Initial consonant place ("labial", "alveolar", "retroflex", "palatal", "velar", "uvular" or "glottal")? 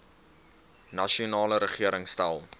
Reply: alveolar